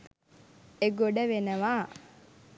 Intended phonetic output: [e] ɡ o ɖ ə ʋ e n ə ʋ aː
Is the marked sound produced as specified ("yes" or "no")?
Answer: yes